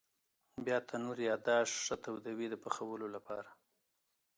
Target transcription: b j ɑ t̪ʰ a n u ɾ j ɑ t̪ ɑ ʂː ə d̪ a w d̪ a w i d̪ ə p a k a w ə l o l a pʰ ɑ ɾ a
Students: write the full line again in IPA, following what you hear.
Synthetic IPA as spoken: b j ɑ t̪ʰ a n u ɾ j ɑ d̪ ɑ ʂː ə t̪ a w d̪ a w i d̪ ə p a x a w ə l o l a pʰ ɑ ɾ a